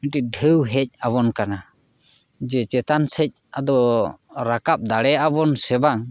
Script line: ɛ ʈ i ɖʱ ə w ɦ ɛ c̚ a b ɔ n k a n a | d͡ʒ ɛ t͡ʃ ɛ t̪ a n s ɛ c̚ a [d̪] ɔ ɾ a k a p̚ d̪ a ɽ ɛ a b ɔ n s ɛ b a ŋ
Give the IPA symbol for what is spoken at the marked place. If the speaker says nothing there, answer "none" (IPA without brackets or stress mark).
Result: d̪